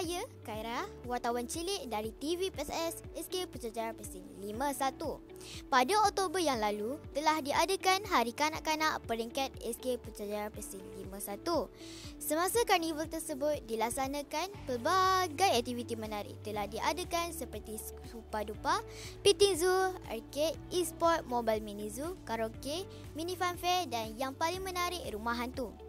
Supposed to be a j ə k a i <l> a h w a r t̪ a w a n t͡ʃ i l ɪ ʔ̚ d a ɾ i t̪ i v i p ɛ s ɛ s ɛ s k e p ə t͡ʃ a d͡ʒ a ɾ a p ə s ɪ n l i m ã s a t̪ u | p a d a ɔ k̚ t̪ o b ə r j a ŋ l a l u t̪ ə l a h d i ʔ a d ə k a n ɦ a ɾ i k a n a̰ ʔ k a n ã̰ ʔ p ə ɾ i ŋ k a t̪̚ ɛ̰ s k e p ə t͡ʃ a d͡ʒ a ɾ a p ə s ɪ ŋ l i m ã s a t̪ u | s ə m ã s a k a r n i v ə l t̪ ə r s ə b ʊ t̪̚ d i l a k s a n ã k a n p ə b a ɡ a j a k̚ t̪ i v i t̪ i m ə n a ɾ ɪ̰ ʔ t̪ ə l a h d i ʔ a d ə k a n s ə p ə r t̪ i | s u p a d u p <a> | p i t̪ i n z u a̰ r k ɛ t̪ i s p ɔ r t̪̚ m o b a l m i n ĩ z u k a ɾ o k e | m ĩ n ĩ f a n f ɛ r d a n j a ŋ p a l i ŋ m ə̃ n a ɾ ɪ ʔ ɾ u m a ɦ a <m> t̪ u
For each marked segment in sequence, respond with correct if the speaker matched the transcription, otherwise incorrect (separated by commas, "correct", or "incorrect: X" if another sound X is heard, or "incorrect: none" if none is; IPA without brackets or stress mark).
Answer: incorrect: ɾ, correct, incorrect: n